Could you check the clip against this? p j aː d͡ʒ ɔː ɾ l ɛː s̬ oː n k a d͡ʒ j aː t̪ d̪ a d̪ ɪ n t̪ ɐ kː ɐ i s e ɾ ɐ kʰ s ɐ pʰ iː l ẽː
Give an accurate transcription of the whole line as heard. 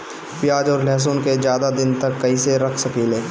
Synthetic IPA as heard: p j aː d͡ʒ ɔː ɾ l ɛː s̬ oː n k e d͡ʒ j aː d̪ a d̪ ɪ n t̪ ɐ kː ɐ i s e ɾ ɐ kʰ s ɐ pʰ iː l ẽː